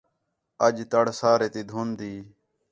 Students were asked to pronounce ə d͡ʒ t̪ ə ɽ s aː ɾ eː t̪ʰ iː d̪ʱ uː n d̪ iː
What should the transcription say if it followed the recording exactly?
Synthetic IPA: ə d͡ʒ t̪ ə ɽ s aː ɾ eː t̪ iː d̪ʱ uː n d̪ iː